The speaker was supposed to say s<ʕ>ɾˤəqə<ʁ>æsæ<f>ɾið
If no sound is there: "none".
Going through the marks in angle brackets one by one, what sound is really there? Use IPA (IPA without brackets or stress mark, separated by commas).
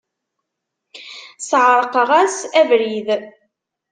ʕ, ʁ, v